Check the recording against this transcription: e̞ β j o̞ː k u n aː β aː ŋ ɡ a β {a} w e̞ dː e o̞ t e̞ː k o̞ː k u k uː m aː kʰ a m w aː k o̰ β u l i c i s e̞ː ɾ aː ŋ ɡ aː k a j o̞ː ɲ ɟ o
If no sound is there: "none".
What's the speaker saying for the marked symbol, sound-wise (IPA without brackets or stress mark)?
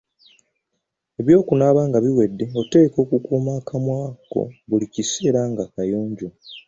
i